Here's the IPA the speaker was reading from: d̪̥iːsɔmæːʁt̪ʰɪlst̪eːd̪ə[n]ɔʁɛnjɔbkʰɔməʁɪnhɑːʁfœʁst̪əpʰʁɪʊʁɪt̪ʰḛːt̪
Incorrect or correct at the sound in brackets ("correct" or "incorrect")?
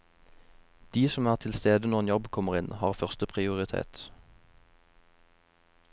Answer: correct